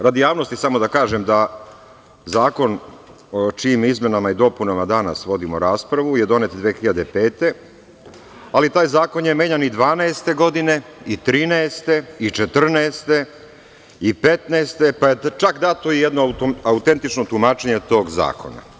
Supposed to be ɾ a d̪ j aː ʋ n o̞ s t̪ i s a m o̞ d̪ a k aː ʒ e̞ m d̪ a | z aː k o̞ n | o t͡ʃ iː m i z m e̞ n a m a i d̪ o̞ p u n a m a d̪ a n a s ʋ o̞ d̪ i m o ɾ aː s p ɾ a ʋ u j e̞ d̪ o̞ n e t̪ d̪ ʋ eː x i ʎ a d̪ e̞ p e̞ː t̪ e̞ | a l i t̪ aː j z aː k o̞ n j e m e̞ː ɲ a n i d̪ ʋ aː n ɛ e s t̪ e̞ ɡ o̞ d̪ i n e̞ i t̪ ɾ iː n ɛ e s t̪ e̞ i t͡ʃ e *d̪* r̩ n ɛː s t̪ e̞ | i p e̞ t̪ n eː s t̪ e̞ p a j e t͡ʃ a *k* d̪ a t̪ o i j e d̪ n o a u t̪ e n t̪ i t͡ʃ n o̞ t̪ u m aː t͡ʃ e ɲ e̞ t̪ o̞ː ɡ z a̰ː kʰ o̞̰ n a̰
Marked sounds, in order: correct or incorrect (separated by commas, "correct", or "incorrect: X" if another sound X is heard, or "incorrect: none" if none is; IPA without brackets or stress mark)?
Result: incorrect: t̪, correct